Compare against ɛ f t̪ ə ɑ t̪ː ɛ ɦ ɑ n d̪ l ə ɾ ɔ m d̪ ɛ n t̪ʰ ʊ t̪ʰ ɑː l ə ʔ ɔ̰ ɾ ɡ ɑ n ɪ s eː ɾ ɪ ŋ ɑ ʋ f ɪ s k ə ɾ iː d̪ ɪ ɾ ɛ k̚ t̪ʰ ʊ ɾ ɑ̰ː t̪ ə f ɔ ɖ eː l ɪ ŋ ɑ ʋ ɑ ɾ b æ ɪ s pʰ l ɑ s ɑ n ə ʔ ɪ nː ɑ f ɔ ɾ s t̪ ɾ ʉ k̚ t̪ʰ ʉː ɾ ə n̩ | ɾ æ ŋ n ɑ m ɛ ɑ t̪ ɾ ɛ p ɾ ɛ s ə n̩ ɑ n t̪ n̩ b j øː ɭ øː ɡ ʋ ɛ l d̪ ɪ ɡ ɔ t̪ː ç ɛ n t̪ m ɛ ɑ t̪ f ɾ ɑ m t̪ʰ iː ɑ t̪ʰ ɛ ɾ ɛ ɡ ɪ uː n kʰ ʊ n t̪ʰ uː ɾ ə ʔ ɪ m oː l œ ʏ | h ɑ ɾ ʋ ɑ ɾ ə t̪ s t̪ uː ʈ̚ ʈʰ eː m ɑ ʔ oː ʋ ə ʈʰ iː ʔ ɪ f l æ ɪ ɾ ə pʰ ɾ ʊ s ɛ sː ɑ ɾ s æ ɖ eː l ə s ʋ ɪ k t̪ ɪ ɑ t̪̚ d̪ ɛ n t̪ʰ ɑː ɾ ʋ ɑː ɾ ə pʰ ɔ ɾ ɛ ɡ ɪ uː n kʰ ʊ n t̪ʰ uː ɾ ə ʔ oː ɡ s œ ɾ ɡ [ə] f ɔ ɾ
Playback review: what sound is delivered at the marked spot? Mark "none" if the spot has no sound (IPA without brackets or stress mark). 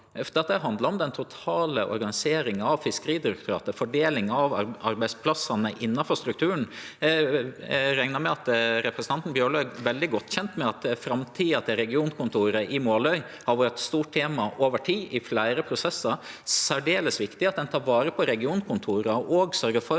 ə